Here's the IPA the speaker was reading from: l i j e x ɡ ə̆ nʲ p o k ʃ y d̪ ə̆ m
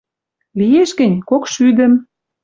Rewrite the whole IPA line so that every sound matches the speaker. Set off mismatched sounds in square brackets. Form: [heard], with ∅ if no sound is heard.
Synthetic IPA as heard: l i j e [ʃ] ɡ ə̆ nʲ [k] o k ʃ y d̪ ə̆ m